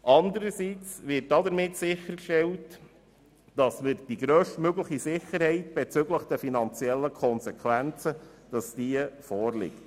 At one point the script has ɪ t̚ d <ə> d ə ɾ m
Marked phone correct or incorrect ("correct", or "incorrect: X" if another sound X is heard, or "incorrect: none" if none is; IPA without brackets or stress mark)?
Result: incorrect: ɑ